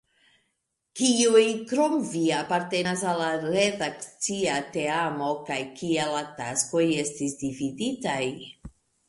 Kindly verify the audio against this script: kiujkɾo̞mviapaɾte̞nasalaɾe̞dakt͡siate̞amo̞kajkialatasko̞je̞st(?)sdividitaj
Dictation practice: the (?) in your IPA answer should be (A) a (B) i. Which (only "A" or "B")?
B